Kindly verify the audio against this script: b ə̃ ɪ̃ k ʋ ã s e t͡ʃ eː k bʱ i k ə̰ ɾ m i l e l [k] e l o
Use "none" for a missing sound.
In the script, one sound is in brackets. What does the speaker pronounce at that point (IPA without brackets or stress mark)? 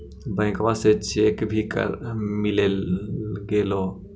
ɡ